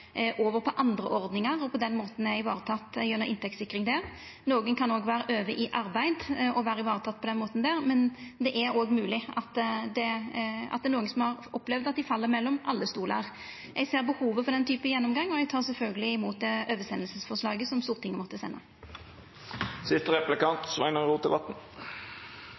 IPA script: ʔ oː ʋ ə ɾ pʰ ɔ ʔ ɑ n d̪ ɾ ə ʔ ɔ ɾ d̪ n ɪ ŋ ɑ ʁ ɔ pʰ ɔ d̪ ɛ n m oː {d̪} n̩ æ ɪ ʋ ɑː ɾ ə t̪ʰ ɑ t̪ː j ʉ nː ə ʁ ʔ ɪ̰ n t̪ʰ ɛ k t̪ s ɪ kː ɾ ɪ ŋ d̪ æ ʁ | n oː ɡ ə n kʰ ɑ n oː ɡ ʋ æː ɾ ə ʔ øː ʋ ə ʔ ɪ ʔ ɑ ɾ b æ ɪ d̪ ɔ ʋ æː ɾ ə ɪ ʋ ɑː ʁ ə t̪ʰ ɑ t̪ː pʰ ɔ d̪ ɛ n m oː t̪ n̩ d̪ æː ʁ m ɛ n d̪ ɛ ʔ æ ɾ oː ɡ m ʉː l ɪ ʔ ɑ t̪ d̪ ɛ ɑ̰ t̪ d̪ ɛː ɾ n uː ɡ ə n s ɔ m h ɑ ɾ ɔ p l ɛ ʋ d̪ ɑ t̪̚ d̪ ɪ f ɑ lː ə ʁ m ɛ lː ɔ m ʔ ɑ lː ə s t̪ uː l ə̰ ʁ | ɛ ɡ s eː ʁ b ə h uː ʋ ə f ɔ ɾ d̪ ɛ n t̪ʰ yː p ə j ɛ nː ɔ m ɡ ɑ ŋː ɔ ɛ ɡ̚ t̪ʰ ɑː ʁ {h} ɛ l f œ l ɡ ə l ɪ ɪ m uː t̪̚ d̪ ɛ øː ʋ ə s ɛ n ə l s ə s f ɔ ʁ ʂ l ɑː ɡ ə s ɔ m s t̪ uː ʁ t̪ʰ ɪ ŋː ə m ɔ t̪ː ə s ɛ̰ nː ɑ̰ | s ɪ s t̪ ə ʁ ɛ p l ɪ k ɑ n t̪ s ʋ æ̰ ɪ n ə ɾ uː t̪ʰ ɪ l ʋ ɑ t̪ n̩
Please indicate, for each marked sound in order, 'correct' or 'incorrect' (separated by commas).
incorrect, incorrect